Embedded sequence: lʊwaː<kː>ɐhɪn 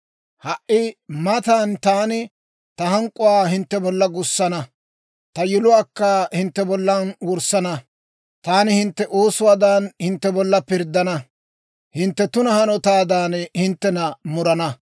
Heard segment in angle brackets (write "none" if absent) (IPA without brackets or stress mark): kː